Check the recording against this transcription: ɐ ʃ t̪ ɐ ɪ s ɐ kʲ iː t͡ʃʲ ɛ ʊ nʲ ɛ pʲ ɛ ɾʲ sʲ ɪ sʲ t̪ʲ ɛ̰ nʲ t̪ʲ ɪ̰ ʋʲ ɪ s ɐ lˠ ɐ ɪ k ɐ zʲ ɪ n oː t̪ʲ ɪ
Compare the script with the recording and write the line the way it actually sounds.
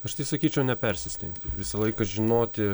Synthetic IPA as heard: ɐ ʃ t̪ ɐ ɪ s ɐ kʲ iː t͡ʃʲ ɛ ʊ nʲ ɛ pʲ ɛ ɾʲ sʲ ɪ sʲ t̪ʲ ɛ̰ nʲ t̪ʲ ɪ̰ ʋʲ ɪ s ɐ lˠ ɐ ɪ k ɐ ʒʲ ɪ n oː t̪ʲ ɪ